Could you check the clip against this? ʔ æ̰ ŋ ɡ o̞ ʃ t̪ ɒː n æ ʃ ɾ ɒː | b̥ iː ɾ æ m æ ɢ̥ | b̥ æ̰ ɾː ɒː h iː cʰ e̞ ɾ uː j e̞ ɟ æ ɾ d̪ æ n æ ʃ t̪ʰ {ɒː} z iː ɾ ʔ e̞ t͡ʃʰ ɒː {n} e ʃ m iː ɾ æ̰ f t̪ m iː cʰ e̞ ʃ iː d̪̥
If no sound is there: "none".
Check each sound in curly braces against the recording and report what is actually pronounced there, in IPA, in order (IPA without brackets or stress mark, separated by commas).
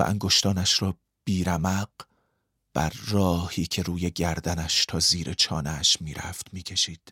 ɒː, n